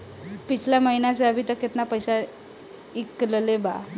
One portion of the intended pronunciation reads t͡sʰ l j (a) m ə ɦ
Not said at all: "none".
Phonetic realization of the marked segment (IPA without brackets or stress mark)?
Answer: a